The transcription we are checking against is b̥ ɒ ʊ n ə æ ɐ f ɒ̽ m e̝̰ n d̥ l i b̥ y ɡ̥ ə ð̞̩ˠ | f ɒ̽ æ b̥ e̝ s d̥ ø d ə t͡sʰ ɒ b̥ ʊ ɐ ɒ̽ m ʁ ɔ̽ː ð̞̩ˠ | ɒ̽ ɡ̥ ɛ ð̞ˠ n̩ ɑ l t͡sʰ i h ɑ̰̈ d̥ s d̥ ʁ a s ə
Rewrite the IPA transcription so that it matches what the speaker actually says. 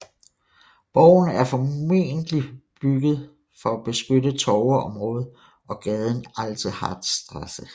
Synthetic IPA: b̥ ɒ ʊ n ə æ ɐ f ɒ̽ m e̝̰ n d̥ l i b̥ y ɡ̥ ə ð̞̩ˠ | f ɒ̽ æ b̥ e̝ s ɡ̥ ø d ə t͡sʰ ɒ ʊ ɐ ɒ̽ m ʁ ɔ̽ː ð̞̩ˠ | ɒ̽ ɡ̥ ɛ ð̞ˠ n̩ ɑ l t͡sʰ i h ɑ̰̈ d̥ s d̥ ʁ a s ə